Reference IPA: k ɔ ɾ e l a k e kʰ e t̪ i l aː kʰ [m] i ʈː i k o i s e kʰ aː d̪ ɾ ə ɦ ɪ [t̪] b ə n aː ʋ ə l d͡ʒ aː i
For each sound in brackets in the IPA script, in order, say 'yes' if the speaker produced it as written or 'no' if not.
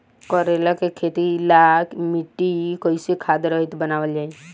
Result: yes, yes

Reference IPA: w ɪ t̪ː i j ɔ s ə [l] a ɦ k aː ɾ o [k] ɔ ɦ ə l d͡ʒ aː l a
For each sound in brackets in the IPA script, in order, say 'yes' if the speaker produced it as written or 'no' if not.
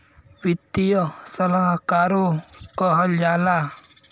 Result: yes, yes

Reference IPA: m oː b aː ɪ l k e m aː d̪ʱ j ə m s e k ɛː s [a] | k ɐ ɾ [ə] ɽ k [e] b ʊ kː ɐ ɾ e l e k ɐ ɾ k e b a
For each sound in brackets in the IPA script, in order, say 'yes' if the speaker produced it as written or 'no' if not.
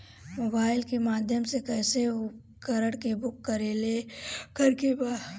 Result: no, yes, yes

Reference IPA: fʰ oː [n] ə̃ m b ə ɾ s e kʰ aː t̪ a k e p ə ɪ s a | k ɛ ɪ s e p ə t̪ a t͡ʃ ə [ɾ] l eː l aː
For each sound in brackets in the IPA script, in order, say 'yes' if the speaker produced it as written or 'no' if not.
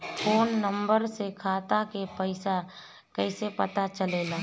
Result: no, no

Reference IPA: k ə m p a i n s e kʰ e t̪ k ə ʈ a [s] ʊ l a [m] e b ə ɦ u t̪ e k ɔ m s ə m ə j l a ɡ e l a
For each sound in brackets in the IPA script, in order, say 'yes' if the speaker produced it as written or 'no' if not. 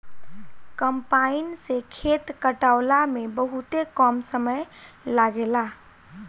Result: no, yes

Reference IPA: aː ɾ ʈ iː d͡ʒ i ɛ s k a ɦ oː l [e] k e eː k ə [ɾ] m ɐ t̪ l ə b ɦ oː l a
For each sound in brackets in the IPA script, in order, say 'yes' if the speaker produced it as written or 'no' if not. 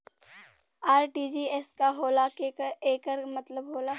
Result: no, yes

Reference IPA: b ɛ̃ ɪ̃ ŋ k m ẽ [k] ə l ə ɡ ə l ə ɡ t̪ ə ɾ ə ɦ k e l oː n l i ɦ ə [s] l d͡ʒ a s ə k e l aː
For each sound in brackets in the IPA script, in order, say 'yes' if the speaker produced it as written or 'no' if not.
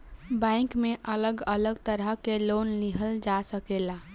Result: no, no

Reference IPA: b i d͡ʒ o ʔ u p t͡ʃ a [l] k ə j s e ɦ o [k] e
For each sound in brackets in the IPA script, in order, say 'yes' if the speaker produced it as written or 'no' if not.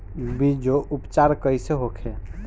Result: no, no

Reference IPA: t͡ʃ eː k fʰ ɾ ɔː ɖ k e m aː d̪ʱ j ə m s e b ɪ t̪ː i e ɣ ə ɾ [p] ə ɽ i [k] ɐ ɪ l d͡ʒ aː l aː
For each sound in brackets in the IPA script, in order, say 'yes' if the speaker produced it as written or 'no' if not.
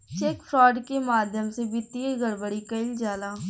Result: no, yes

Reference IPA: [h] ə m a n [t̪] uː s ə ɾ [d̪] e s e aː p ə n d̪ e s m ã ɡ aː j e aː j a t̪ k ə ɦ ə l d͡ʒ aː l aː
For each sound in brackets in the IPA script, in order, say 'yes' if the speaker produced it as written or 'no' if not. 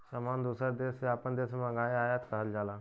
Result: no, no, yes

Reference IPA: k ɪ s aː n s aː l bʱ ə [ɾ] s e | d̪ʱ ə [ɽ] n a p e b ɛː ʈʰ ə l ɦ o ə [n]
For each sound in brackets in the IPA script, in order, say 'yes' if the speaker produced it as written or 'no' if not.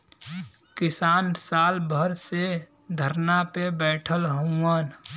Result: yes, no, yes

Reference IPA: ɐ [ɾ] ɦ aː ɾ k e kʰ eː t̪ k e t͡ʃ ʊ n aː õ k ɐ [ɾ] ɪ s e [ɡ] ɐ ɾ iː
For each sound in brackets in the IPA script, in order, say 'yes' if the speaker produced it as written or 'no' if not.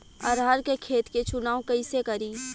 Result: yes, no, no

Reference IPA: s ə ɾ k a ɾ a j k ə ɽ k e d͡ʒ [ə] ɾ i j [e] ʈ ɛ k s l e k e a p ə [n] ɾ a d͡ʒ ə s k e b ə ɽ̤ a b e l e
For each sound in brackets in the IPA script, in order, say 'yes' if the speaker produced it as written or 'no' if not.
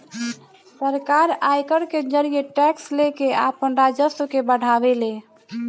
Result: yes, yes, yes

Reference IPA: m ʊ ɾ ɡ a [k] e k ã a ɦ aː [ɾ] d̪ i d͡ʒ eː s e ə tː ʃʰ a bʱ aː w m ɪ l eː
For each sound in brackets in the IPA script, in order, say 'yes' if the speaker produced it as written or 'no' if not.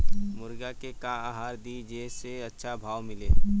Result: yes, yes

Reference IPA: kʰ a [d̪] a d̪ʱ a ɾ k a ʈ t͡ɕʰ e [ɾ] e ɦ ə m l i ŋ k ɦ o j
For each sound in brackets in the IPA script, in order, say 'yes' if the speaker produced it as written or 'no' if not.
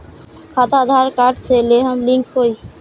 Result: no, no

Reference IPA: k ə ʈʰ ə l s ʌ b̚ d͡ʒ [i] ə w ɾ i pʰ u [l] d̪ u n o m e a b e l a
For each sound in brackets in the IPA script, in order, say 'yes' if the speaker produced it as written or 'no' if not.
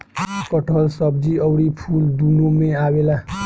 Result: yes, yes

